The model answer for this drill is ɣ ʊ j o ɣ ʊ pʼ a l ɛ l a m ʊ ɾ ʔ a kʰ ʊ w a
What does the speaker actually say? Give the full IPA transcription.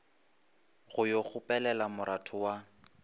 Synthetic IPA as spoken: ɣ ʊ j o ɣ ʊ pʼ ɛ l ɛ l a m ʊ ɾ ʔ a tʰ ʊ w a